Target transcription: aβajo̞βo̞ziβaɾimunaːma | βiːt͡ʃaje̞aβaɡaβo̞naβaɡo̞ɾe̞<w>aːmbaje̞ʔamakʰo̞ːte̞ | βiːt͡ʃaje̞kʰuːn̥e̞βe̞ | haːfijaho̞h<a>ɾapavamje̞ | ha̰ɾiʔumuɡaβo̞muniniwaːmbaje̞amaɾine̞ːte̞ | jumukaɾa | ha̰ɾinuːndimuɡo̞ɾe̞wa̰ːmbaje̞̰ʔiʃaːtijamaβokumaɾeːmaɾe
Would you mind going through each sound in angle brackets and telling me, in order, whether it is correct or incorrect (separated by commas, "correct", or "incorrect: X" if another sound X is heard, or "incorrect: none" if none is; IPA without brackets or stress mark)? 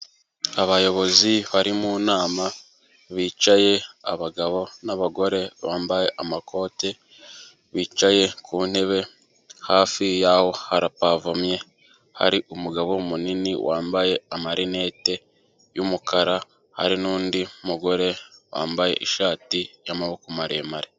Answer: incorrect: β, correct